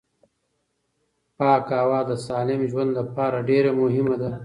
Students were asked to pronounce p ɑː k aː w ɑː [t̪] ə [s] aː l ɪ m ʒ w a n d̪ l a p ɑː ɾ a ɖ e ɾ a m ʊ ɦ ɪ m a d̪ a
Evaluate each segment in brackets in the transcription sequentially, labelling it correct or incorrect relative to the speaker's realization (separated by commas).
incorrect, correct